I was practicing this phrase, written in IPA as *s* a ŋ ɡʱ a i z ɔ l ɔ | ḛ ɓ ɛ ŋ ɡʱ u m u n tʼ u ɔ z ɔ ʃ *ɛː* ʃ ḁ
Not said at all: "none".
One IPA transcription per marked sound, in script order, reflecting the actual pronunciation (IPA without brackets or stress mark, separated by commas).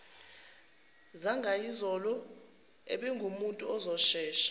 z, ɛː